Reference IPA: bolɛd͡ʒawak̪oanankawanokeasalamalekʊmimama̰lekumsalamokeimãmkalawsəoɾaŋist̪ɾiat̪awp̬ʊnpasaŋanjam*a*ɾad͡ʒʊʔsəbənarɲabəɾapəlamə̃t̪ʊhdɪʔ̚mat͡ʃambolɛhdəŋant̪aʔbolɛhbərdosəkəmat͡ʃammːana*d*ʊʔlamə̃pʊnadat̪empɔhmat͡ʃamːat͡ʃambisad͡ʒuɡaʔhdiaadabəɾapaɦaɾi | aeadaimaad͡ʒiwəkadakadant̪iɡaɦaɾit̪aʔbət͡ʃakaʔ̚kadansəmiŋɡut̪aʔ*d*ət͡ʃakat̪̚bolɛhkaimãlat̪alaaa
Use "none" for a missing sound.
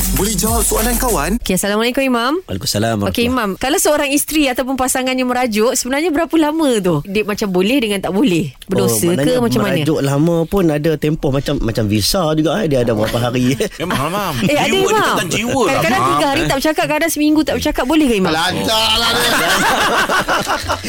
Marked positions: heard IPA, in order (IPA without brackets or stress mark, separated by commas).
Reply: ə, d͡ʒ, b